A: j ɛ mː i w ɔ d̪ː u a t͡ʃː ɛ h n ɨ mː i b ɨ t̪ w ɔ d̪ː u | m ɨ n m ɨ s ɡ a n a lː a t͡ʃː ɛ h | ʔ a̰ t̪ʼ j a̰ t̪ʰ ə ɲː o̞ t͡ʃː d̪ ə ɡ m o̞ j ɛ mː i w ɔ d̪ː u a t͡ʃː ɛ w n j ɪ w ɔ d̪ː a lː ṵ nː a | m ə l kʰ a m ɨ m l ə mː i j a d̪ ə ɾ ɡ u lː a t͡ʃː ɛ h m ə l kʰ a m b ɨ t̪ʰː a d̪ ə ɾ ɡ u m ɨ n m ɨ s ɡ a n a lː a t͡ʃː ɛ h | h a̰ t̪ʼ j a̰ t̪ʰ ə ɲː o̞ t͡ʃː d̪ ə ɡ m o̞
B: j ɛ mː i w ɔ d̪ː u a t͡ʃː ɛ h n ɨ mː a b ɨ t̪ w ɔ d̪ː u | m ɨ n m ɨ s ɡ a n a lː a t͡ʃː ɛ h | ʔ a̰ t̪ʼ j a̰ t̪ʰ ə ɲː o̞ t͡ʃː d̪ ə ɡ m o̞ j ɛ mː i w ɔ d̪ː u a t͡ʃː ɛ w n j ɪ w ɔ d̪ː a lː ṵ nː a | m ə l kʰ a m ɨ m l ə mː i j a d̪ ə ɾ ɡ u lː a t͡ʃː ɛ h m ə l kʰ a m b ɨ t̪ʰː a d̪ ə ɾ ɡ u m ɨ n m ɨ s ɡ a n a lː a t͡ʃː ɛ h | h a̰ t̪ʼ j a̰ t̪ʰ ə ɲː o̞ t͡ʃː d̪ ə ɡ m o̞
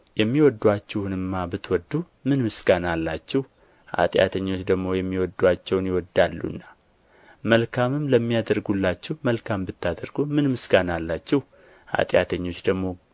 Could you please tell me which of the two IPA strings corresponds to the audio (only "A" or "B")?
B